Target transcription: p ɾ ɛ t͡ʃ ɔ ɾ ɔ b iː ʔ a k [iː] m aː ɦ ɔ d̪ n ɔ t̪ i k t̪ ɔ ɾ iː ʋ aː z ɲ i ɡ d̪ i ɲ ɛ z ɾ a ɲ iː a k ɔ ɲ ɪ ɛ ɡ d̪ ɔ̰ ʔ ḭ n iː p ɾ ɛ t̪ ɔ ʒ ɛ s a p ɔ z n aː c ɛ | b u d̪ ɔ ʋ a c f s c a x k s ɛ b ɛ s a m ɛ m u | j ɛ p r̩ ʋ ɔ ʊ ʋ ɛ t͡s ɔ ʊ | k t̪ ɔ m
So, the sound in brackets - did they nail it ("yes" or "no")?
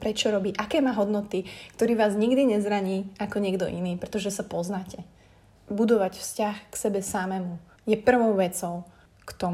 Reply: no